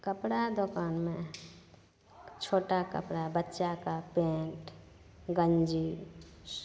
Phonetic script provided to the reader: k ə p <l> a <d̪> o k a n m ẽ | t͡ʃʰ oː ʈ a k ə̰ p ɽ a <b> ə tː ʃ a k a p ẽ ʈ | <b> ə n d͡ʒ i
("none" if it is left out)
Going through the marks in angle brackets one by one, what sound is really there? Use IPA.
ɽ, d̪, b, ɡ

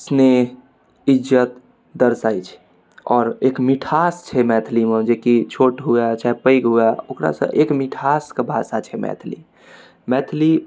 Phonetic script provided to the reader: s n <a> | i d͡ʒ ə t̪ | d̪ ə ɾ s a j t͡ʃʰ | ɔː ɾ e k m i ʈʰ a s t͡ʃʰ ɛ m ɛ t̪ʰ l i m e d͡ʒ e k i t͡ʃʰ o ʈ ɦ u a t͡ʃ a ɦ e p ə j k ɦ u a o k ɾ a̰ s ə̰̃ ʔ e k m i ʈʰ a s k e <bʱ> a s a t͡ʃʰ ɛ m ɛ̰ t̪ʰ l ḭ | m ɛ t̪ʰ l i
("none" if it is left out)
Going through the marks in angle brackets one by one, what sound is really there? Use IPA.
e, bʱ

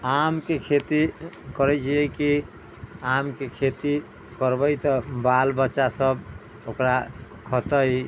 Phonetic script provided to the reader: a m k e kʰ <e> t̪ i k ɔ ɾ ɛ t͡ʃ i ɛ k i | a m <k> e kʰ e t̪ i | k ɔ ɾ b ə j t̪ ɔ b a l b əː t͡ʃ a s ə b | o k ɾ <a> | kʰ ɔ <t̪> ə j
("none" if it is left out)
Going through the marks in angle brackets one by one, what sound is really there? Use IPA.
e, k, a, t̪

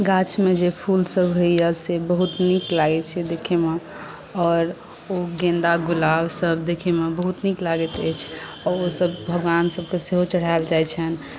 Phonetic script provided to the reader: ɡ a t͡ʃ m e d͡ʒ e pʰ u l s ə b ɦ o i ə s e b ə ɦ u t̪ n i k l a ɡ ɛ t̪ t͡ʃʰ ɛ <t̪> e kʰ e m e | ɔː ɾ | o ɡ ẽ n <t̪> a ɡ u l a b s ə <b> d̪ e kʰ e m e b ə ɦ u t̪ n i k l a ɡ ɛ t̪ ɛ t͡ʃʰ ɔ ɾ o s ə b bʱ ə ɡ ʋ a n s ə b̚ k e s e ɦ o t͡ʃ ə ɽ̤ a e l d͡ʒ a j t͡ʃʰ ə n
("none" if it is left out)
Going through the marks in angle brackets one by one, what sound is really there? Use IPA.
d̪, d̪, b

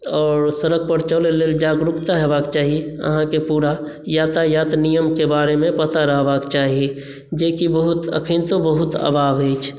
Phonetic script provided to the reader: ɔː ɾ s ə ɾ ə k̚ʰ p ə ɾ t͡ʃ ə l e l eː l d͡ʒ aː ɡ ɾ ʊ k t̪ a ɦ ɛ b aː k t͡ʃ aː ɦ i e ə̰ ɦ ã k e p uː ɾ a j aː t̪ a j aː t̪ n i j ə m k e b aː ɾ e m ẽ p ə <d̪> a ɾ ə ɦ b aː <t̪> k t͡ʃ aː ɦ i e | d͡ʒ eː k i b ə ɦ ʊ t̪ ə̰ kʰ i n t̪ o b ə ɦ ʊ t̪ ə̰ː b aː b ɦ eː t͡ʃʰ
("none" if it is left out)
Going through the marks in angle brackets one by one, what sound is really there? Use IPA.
t̪, none

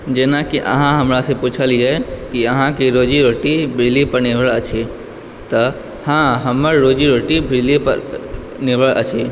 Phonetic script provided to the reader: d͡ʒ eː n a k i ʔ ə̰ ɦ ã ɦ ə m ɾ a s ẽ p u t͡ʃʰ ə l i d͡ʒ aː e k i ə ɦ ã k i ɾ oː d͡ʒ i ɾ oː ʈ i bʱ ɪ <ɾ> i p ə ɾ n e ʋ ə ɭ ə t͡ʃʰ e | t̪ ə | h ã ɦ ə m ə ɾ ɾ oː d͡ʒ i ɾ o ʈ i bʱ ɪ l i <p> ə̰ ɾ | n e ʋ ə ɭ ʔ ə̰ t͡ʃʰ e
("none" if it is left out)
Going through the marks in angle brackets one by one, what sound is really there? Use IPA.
l, p

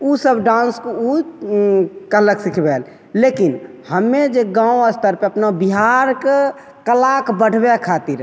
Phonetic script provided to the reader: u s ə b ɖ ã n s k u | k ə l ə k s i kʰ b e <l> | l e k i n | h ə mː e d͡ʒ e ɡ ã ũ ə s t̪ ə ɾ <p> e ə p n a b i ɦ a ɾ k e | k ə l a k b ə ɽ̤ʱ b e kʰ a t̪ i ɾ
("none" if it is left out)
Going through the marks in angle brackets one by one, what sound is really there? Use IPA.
l, p

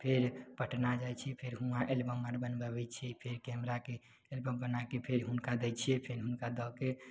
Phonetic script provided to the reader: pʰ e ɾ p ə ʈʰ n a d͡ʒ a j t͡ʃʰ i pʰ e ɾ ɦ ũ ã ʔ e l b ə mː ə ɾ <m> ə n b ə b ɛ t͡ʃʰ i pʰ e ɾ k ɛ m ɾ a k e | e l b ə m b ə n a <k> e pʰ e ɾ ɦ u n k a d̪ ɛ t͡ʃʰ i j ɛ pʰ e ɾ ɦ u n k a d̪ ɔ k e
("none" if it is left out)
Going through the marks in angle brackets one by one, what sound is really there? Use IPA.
b, k

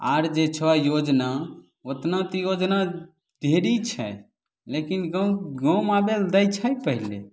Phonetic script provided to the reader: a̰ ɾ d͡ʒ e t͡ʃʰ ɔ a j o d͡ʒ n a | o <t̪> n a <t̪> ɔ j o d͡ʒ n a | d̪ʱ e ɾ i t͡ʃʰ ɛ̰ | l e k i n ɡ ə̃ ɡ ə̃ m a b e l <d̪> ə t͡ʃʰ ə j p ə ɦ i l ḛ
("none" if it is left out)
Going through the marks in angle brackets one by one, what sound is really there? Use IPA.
t̪, t̪, d̪

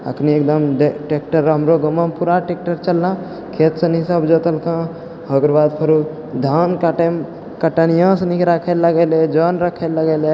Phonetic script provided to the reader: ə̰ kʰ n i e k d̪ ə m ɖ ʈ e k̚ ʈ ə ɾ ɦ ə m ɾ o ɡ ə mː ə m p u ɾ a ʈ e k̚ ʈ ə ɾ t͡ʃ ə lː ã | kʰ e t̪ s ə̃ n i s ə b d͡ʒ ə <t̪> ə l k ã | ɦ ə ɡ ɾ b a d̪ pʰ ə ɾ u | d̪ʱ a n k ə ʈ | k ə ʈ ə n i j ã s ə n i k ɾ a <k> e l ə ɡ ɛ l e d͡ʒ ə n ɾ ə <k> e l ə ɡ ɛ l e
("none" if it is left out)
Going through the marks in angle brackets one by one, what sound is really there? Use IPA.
t̪, kʰ, kʰ

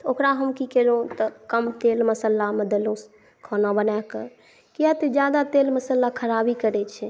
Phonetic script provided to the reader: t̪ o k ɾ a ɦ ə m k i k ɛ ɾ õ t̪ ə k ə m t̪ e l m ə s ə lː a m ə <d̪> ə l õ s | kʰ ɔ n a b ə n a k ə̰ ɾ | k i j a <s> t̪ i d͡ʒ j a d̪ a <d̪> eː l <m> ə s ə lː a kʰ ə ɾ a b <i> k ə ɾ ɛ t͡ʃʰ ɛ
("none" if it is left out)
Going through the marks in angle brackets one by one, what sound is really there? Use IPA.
d̪, none, t̪, m, i

